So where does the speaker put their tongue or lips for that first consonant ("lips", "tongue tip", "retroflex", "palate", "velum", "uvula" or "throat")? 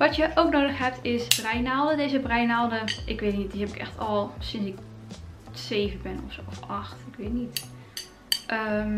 lips